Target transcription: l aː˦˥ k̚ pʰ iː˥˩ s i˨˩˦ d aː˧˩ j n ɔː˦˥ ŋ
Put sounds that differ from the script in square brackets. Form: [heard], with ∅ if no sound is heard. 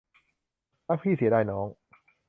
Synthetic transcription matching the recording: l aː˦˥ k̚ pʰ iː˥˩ s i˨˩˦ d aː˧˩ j n ɔː˦˥ ŋ